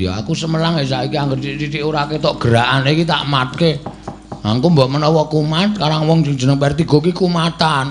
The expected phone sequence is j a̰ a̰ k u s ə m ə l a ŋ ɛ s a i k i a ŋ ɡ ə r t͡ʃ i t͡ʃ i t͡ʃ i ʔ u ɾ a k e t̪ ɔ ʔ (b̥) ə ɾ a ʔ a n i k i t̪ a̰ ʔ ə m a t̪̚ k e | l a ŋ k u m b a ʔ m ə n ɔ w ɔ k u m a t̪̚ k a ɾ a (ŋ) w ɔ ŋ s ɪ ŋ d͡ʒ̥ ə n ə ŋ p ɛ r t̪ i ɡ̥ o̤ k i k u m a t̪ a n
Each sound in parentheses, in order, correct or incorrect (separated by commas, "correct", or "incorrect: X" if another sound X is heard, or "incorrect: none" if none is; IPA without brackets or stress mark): incorrect: ɡ̥, correct